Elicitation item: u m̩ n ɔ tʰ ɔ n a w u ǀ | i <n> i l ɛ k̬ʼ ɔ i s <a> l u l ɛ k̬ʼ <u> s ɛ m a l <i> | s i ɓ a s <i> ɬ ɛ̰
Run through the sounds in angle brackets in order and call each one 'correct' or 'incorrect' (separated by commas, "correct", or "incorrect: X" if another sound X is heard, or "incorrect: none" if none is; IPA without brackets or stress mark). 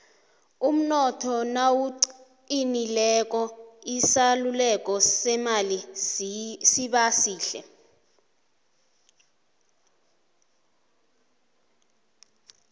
correct, correct, incorrect: ɔ, correct, incorrect: iː